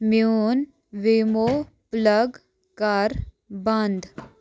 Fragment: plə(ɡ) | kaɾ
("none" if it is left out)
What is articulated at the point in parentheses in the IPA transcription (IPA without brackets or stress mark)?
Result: ɡ